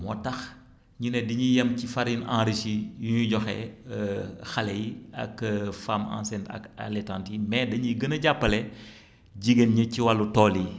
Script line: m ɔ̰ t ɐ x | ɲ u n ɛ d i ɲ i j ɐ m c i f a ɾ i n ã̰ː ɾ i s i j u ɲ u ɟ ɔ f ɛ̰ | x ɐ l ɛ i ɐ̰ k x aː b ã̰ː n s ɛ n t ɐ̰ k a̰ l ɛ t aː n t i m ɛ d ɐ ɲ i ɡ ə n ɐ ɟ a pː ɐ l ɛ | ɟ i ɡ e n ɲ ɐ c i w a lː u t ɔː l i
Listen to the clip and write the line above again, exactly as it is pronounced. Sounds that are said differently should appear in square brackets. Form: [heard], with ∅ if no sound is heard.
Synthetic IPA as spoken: m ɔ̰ t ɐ x | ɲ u n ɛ d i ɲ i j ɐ m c i f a ɾ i n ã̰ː ɾ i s i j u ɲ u ɟ ɔ [x] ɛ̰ | x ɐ l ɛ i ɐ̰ k [f] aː [m] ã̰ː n s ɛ n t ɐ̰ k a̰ l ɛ t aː n t i m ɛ d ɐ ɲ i ɡ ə n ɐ ɟ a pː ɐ l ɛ | ɟ i ɡ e n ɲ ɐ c i w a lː u t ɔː l i